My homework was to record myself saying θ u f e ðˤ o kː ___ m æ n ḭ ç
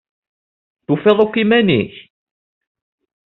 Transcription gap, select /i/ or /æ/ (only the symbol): i